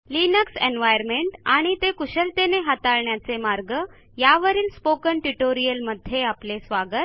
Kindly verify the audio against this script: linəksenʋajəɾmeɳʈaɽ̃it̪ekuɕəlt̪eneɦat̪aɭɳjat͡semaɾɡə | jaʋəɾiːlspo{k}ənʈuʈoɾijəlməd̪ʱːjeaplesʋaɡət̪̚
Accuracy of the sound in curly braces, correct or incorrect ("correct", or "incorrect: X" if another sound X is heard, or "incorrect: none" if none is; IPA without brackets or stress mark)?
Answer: correct